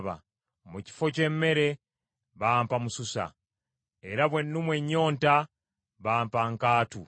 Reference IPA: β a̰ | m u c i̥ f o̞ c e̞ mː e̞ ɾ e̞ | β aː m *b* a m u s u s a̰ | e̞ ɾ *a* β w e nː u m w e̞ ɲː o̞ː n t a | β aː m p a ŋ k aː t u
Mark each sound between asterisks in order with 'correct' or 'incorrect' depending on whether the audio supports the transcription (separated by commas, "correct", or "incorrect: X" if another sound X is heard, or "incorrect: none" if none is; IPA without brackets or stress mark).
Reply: incorrect: p, correct